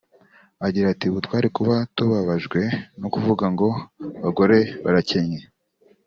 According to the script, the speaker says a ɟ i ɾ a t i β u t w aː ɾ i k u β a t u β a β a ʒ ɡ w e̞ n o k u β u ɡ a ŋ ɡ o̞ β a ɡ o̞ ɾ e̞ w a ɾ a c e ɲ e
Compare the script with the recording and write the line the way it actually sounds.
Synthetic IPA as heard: a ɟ i ɾ a t i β u t w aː ɾ i k u β a t u β a β a ʒ ɡ w e̞ n o k u v u ɡ a ŋ ɡ o̞ β a ɡ o̞ ɾ e̞ β a ɾ a c e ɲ e